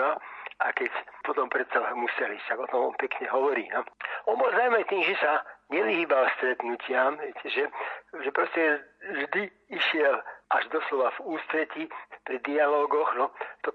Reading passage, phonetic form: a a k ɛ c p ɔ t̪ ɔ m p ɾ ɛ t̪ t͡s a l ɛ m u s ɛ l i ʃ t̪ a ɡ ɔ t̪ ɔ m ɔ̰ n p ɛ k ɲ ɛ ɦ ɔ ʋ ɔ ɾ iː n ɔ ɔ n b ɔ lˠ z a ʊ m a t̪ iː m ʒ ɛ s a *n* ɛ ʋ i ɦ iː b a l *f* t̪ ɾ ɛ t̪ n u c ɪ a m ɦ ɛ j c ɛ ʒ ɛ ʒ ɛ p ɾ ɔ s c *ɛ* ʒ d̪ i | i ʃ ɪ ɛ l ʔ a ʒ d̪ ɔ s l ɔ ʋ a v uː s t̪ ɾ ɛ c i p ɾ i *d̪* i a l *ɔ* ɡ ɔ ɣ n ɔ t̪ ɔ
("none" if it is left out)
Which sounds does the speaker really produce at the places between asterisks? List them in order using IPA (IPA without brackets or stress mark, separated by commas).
ɲ, s, ɛ, d̪, ɔː